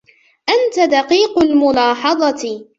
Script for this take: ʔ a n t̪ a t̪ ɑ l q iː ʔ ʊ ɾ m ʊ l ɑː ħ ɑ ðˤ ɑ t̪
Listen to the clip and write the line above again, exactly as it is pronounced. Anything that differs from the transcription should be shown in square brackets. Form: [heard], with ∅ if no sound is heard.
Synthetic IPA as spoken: ʔ a n t̪ a [d̪] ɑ [∅] q iː [q] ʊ [l] m ʊ l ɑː ħ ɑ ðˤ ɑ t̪